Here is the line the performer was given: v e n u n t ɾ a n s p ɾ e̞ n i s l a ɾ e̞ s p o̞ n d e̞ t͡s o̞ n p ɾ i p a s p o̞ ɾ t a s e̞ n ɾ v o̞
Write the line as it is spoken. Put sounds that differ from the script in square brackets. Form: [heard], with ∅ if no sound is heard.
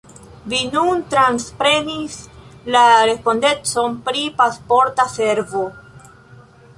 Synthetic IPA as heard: v [i] n u n t ɾ a n s p ɾ e̞ n i s l a ɾ e̞ s p o̞ n d e̞ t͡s o̞ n p ɾ i p a s p o̞ ɾ t a s e̞ [∅] ɾ v o̞